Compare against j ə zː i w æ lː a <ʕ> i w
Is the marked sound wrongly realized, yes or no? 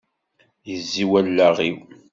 yes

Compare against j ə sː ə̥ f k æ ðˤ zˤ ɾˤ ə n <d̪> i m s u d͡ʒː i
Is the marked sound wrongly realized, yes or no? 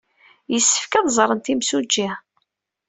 yes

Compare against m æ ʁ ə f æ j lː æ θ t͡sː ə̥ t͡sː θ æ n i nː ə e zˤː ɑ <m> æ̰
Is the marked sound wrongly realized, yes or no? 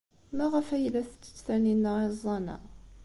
yes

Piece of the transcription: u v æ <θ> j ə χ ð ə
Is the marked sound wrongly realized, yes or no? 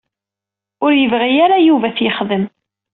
no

